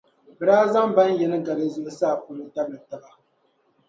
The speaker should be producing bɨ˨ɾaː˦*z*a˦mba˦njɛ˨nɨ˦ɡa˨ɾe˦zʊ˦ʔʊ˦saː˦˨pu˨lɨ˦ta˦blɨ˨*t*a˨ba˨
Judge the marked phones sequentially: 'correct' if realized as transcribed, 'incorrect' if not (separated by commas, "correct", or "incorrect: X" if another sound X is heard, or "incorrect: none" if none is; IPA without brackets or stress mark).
correct, correct